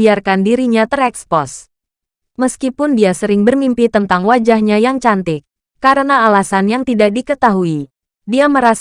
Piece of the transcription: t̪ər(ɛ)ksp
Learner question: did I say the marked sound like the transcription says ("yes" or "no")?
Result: yes